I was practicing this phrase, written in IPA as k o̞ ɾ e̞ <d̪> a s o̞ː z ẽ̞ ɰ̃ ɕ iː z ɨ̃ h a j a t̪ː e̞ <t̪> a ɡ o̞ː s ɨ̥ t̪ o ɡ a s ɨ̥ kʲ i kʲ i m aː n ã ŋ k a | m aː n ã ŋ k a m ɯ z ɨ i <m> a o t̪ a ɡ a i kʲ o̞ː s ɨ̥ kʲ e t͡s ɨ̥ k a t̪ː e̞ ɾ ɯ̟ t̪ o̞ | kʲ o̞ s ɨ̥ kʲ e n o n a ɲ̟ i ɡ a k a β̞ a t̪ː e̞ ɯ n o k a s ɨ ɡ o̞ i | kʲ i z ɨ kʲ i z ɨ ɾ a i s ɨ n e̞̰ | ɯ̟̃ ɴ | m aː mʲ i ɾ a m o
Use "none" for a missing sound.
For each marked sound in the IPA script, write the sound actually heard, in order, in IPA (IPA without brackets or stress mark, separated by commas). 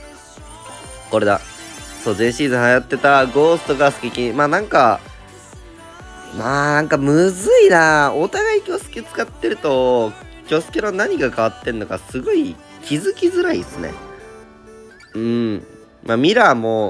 d̪, t̪, n